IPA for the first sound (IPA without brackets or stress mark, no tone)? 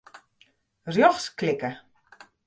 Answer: r